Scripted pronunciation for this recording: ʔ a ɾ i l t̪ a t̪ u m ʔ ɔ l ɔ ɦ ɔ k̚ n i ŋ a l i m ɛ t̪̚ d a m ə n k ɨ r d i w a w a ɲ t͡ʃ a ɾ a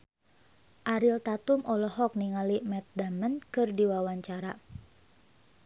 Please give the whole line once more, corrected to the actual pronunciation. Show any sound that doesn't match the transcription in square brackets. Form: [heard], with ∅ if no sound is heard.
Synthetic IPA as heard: ʔ a ɾ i l t̪ a t̪ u m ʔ ɔ l ɔ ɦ ɔ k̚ n i ŋ a l i m ɛ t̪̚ d a m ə n k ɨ r d i w a w a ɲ t͡ʃ a ɾ a